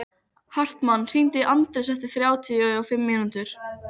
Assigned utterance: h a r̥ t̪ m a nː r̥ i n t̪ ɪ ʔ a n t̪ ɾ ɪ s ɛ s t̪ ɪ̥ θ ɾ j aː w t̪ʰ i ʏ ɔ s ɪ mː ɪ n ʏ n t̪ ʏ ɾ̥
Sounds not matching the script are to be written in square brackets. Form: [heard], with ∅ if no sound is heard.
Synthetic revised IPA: h a r̥ t̪ m a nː r̥ i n t̪ ɪ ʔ a n t̪ ɾ ɪ s ɛ [f] t̪ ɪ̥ θ ɾ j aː w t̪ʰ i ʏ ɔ [f] ɪ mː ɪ n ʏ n t̪ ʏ ɾ̥